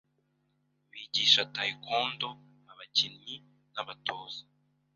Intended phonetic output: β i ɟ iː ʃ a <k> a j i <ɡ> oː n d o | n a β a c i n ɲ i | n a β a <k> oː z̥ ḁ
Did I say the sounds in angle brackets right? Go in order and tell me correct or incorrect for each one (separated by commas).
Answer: incorrect, incorrect, incorrect